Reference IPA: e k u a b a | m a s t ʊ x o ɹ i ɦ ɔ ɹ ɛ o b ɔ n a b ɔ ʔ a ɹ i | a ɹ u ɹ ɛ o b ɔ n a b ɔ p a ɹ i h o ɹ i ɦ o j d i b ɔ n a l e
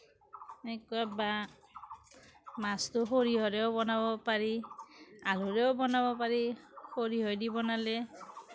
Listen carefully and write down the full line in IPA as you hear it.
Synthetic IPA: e k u a b a | m a s t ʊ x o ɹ i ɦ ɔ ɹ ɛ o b ɔ n a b ɔ p a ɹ i | a l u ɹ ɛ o b ɔ n a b ɔ p a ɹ i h o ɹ i ɦ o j d i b ɔ n a l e